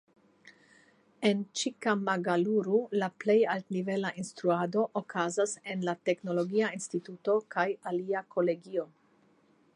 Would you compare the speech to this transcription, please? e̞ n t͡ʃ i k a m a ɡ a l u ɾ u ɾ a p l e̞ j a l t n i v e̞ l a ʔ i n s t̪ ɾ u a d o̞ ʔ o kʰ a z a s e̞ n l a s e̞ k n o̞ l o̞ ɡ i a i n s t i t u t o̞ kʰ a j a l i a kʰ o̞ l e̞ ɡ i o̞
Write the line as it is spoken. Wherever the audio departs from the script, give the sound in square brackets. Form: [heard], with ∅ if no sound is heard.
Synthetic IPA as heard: e̞ n t͡ʃ i k a m a ɡ a l u ɾ u [l] a p l e̞ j a l t n i v e̞ l a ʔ i n s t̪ ɾ u a d o̞ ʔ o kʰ a z a s e̞ n l a [t] e̞ k n o̞ l o̞ ɡ i a i n s t i t u t o̞ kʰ a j a l i a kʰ o̞ l e̞ ɡ i o̞